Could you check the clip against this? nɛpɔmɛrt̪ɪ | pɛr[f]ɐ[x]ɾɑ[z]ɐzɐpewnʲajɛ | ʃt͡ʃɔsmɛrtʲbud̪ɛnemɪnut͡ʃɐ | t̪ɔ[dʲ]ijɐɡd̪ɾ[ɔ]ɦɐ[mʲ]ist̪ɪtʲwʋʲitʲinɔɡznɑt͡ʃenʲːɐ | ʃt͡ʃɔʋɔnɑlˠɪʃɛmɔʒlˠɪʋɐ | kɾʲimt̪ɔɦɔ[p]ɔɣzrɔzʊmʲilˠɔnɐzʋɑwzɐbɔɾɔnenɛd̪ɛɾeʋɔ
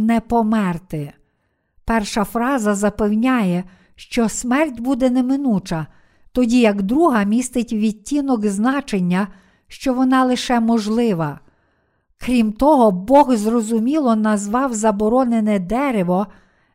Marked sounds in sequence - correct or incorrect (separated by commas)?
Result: incorrect, incorrect, correct, correct, incorrect, correct, incorrect